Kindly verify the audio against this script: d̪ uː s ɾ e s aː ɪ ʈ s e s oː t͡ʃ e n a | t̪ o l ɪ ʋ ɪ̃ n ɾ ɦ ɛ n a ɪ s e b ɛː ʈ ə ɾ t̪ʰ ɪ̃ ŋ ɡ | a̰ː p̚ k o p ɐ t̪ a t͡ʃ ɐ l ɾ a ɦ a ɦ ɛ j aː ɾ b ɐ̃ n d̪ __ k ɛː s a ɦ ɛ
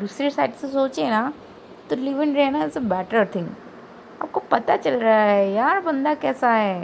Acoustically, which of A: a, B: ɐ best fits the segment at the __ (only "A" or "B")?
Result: A